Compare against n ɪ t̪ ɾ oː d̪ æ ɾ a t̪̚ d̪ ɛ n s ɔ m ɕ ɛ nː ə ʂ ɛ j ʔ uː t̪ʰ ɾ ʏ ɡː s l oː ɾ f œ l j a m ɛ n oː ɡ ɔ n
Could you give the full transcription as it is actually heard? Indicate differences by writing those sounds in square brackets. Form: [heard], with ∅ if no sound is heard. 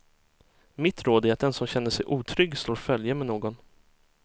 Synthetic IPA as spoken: [m] ɪ t̪ ɾ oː d̪ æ ɾ a t̪̚ d̪ ɛ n s ɔ m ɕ ɛ nː ə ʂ ɛ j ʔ uː t̪ʰ ɾ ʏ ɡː s l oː ɾ f œ l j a m ɛ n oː ɡ ɔ n

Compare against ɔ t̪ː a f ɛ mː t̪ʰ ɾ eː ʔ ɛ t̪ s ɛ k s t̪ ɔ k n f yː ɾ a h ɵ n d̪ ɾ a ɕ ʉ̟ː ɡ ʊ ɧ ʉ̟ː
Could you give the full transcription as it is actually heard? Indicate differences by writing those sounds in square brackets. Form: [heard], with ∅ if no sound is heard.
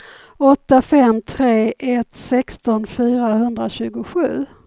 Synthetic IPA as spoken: ɔ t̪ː a f ɛ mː t̪ʰ ɾ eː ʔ ɛ t̪ s ɛ k s t̪ ɔ [∅] n f yː ɾ a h ɵ n d̪ ɾ a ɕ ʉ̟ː ɡ ʊ ɧ ʉ̟ː

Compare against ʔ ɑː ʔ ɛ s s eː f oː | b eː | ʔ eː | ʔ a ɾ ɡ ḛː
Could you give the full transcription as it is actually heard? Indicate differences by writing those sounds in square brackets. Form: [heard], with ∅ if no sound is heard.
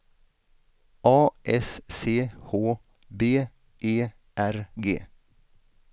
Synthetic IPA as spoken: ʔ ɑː ʔ ɛ s s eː [h] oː | b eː | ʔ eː | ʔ [æ] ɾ ɡ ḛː

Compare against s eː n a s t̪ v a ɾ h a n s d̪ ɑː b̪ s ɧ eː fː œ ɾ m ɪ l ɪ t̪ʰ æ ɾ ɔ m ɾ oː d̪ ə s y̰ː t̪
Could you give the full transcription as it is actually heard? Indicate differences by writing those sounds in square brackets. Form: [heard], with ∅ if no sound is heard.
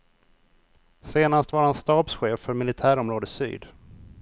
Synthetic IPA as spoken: s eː n a s t̪ v a ɾ h a n s [t̪] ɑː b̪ s ɧ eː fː œ ɾ m ɪ l ɪ t̪ʰ [æː] ɾ ɔ m ɾ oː d̪ ə s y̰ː [d̪]

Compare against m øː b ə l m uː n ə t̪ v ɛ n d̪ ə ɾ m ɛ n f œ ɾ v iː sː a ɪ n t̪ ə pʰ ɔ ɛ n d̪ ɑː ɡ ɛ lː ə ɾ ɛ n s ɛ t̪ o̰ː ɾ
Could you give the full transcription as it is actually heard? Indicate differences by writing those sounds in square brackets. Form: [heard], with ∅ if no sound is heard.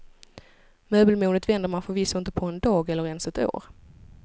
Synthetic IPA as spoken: m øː b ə l m uː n ə t̪ v ɛ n d̪ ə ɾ m [a] n f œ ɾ v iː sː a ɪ n t̪ ə pʰ ɔ ɛ n d̪ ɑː ɡ ɛ lː ə ɾ ɛ n s ɛ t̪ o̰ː ɾ

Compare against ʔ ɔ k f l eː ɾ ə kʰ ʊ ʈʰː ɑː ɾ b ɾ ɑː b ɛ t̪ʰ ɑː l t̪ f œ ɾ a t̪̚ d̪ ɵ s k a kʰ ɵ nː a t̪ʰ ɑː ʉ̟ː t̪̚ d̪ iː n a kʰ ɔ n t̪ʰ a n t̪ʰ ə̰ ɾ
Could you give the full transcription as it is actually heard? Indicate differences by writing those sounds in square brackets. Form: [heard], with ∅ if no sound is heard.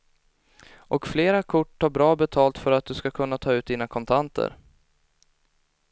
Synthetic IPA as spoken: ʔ ɔ k f l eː ɾ [a] kʰ ʊ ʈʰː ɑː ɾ b ɾ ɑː b ɛ t̪ʰ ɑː l t̪ f œ ɾ a t̪̚ d̪ ɵ s k a kʰ ɵ nː a t̪ʰ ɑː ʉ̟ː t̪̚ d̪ iː n a kʰ ɔ n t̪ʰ a n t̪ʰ ə̰ ɾ

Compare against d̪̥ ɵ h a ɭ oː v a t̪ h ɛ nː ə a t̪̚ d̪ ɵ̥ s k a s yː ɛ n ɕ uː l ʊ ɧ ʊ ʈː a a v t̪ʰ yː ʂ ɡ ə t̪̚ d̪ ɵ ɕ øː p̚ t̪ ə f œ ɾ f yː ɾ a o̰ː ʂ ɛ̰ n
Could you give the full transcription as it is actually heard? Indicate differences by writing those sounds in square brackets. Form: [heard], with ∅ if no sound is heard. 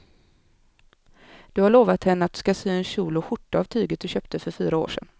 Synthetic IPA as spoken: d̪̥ ɵ h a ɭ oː v a t̪ h ɛ nː ə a t̪̚ d̪ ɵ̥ s k a s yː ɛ n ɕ uː l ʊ ɧ ʊ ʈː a a v t̪ʰ yː [∅] ɡ ə t̪̚ d̪ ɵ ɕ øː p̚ t̪ ə f œ ɾ f yː ɾ a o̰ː ʂ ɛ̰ n

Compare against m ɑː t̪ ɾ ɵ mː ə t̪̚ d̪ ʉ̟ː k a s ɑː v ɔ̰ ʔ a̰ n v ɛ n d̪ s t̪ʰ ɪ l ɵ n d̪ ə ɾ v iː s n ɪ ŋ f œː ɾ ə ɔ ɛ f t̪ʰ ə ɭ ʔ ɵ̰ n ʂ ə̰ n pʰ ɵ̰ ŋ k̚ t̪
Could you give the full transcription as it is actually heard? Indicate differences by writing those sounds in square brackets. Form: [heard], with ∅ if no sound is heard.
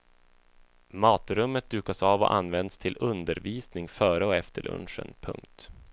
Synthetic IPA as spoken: m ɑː t̪ ɾ ɵ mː ə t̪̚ d̪ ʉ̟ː k a s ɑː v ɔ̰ ʔ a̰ n v ɛ n d̪ s t̪ʰ ɪ l ɵ n d̪ ə ɾ v iː s n ɪ ŋ f œː ɾ ə ɔ ɛ f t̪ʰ ə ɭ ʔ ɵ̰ n ʂ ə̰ n pʰ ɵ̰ ŋ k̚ t̪

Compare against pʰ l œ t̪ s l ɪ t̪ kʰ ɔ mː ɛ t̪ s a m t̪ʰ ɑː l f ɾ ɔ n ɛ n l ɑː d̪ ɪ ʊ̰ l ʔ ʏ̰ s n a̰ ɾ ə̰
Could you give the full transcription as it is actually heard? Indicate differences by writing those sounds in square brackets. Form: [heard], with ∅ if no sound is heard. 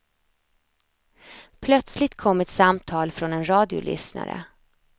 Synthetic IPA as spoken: pʰ l œ t̪ s l ɪ t̪ kʰ ɔ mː ɛ t̪ s a m t̪ʰ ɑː l f ɾ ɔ n ɛ n [ɾ] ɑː d̪ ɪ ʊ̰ l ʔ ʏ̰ s n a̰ ɾ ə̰

